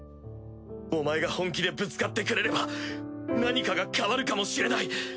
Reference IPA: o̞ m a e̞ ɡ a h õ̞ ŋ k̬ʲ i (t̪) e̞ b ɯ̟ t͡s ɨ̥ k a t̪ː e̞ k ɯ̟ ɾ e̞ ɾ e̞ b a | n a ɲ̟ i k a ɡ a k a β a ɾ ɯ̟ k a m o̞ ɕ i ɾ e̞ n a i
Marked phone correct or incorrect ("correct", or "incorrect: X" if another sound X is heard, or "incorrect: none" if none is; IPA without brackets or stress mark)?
incorrect: d̪